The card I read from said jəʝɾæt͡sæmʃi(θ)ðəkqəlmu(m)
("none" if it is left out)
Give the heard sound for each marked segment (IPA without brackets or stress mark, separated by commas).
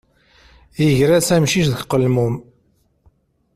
ʃ, m